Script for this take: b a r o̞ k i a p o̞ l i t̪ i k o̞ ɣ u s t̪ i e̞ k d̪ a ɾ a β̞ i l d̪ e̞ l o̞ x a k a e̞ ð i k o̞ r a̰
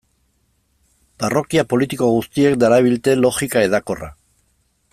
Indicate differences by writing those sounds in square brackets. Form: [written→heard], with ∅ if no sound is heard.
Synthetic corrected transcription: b a r o̞ k i a p o̞ l i t̪ i k o̞ ɣ u s t̪ i e̞ k d̪ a ɾ a β̞ i l [d̪→t̪] e̞ l o̞ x [a→i] k a e̞ ð [i→a] k o̞ r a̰